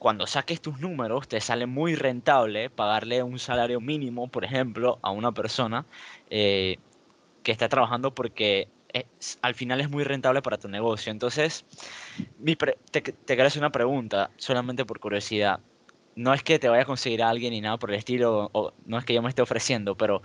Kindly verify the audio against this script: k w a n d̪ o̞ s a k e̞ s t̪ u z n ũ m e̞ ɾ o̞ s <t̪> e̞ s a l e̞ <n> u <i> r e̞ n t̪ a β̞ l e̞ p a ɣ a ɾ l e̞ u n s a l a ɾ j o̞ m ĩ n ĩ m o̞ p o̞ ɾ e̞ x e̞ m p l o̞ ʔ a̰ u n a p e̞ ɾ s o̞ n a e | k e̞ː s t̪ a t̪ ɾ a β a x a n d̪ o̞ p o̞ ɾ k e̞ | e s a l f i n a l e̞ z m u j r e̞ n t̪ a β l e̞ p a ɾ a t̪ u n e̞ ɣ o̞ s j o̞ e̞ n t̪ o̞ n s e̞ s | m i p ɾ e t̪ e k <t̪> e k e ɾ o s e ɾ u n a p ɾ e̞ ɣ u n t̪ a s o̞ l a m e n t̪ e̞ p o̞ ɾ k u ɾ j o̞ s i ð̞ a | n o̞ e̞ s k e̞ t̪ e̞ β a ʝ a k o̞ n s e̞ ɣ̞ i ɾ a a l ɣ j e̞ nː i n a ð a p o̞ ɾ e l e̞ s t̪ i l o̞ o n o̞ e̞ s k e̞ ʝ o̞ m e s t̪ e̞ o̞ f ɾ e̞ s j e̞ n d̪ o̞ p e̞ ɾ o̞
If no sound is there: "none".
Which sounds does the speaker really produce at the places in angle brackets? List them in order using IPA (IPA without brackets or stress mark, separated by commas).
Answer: t̪, m, j, t̪